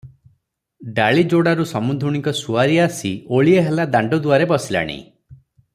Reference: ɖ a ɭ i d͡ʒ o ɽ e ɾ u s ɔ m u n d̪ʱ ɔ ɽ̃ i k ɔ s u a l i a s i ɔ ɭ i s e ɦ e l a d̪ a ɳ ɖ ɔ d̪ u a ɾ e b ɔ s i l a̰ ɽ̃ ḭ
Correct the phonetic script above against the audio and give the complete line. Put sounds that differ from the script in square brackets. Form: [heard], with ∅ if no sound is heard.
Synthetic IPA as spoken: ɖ a ɭ i d͡ʒ o ɽ [a] ɾ u s ɔ m u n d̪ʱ [u] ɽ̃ i k ɔ s u a [ɾ] i a s i [o] ɭ i [∅] e ɦ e l a d̪ a ɳ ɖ ɔ d̪ u a ɾ e b ɔ s i l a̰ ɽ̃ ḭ